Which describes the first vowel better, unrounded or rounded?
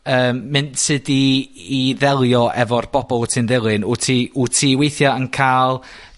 unrounded